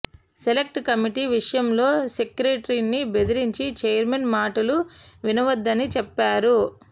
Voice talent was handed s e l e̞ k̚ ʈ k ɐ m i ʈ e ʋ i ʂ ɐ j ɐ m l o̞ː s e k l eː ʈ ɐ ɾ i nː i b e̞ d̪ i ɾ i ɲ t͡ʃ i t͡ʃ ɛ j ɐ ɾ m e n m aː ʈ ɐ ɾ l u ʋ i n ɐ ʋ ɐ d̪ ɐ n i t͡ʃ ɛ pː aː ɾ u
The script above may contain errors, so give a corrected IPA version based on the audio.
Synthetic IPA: s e l e̞ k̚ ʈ k ɐ m i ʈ i ʋ i ʂ ɐ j ɐ m l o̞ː s e k ɾ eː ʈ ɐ ɾ i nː i b e̞ d̪ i ɾ i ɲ t͡ʃ i t͡ʃ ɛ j ɐ ɾ m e n m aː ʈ ɐ l u ʋ i n ɐ ʋ ɐ d̪ː ɐ n i t͡ʃ ɛ pː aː ɾ u

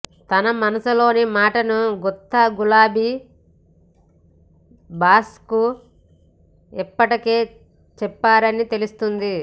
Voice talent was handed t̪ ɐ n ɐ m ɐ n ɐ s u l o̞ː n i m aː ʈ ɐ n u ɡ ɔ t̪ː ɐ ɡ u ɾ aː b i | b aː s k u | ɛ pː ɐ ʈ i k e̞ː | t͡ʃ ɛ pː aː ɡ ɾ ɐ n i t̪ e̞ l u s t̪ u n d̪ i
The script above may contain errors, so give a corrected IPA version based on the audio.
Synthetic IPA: t̪ ɐ n ɐ m ɐ n ɐ s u l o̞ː n i m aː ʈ ɐ n u ɡ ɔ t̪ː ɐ ɡ u l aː b i | b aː s k u | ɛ pː ɐ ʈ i k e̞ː | t͡ʃ ɛ pː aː ɾ ɐ n i t̪ e̞ l u s t̪ u n d̪ i

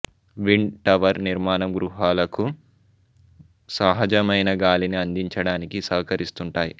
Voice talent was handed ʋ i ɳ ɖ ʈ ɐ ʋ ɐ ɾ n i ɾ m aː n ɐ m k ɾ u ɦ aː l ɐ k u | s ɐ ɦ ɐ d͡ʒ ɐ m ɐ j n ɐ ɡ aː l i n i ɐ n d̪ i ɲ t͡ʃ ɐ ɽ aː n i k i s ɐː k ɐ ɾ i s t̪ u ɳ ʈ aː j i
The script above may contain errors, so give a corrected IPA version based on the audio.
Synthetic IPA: ʋ i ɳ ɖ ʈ ɐ ʋ ɐ ɾ n i ɾ m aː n ɐ m ɡ ɾ u ɦ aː l ɐ k u | s ɐ ɦ ɐ d͡ʒ ɐ m ɐ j n ɐ ɡ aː l i n i ɐ n d̪ i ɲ t͡ʃ ɐ ɽ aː n i k i s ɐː k ɐ ɾ i s t̪ u ɳ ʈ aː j i

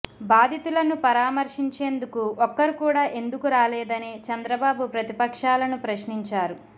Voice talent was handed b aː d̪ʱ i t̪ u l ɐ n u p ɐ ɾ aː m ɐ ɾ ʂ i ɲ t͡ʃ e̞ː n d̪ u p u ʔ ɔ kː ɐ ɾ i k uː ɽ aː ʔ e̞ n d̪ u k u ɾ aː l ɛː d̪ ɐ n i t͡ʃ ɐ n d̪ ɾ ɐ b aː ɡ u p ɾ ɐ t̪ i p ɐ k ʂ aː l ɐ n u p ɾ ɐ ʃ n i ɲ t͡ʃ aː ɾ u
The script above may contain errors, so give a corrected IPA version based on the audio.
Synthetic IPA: b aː d̪ʱ i t̪ u l ɐ n u p ɐ ɾ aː m ɐ ɾ ʂ i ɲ t͡ʃ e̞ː n d̪ u k u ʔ ɔ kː ɐ ɾ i k uː ɽ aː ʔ e̞ n d̪ u k u ɾ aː l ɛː d̪ ɐ n i t͡ʃ ɐ n d̪ ɾ ɐ b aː b u p ɾ ɐ t̪ i p ɐ k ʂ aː l ɐ n u p ɾ ɐ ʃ n i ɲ t͡ʃ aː ɾ u

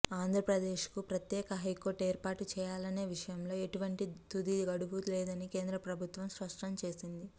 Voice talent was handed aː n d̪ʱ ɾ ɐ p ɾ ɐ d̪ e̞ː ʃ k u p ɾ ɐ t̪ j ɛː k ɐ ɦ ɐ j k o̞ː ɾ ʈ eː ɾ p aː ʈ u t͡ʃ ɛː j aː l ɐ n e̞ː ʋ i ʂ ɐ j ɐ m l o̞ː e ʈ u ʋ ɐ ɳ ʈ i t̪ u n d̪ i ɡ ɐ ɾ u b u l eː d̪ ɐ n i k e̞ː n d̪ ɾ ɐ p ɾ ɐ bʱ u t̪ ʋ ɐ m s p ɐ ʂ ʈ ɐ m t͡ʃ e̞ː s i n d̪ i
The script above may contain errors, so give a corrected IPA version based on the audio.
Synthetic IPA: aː n d̪ʱ ɾ ɐ p ɾ ɐ d̪ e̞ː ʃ k u p ɾ ɐ t̪ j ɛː k ɐ ɦ ɐ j k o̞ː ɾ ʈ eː ɾ p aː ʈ u t͡ʃ ɛː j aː l ɐ n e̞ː ʋ i ʂ ɐ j ɐ m l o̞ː e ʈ u ʋ ɐ ɳ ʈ i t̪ u d̪ i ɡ ɐ ɽ u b u l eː d̪ ɐ n i k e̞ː n d̪ ɾ ɐ p ɾ ɐ bʱ u t̪ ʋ ɐ m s p ɐ ʂ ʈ ɐ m t͡ʃ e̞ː s i n d̪ i

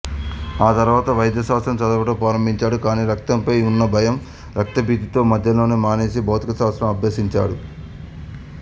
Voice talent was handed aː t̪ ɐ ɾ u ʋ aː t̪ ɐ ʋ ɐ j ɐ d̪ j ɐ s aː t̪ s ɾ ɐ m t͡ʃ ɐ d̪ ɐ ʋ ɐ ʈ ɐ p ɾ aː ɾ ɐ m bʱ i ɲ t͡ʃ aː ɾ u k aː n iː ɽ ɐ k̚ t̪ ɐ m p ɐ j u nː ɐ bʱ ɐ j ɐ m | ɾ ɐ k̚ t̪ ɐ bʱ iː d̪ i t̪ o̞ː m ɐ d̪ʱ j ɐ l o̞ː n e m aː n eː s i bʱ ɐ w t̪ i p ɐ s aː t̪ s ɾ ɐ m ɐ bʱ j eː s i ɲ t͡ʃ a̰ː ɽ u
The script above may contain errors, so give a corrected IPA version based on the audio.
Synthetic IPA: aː t̪ ɐ ɾ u ʋ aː t̪ ɐ ʋ ɐ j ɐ d̪ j ɐ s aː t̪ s ɾ ɐ m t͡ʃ ɐ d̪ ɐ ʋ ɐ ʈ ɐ p ɾ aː ɾ ɐ m bʱ i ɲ t͡ʃ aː ɽ u k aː n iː ɾ ɐ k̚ t̪ ɐ m p ɐ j u nː ɐ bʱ ɐ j ɐ m | ɾ ɐ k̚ t̪ ɐ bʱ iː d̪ i t̪ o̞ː m ɐ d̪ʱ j ɐ l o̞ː n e m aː n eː s i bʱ ɐ w t̪ i k ɐ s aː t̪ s ɾ ɐ m ɐ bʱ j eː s i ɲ t͡ʃ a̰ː ɽ u

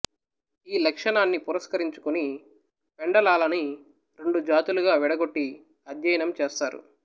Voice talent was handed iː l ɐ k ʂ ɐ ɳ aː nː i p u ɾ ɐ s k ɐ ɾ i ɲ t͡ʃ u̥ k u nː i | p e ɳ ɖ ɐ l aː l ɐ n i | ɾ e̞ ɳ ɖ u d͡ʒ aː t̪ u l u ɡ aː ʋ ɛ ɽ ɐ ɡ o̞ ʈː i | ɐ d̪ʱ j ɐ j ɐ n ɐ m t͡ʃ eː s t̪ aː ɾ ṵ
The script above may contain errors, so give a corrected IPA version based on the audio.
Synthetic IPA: iː l ɐ k ʂ ɐ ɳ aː nː i p u ɾ ɐ s k ɐ ɾ i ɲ t͡ʃ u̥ k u n i | p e ɳ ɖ ɐ l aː l ɐ n i | ɾ e̞ ɳ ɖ u d͡ʒ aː t̪ u l u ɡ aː ʋ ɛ ɽ ɐ ɡ o̞ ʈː i | ɐ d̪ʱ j ɐ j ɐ n ɐ m t͡ʃ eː s t̪ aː ɾ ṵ

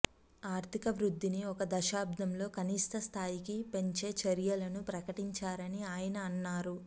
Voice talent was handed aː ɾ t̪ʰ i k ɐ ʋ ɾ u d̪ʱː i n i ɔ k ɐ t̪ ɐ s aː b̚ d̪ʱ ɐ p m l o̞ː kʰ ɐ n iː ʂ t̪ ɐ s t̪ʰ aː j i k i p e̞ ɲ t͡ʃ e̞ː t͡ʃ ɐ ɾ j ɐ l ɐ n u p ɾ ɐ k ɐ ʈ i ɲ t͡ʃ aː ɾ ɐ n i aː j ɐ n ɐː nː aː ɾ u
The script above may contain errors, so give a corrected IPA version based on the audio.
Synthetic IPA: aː ɾ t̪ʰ i k ɐ ʋ ɾ u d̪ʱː i n i ɔ k ɐ d̪ ɐ ʃ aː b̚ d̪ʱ ɐ m l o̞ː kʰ ɐ n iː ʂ t̪ ɐ s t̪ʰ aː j i k i p e̞ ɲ t͡ʃ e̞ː t͡ʃ ɐ ɾ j ɐ l ɐ n u p ɾ ɐ k ɐ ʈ i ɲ t͡ʃ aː ɾ ɐ n i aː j ɐ n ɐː nː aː ɾ u

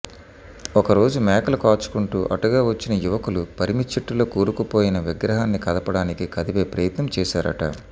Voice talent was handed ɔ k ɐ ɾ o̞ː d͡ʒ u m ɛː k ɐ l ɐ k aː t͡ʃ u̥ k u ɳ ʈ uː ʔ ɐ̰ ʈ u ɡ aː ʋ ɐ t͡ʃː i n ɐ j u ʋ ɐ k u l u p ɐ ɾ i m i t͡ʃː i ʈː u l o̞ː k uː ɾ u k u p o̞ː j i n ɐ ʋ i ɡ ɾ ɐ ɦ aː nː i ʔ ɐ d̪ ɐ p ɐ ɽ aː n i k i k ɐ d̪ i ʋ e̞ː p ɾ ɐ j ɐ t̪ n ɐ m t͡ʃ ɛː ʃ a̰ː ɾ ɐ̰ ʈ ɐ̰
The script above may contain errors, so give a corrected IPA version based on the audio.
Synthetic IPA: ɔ k ɐ ɾ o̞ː d͡ʒ u m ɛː k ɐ l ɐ k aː t͡ʃ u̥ k u ɳ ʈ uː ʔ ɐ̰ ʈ u ɡ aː ʋ ɐ t͡ʃː i n ɐ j u ʋ ɐ k u l u p ɐ ɾ i m i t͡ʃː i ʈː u l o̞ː k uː ɾ u k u p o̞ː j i n ɐ ʋ i ɡ ɾ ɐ ɦ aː nː i k ɐ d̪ ɐ p ɐ ɽ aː n i k i k ɐ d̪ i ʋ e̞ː p ɾ ɐ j ɐ t̪ n ɐ m t͡ʃ ɛː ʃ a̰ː ɾ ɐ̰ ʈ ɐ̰

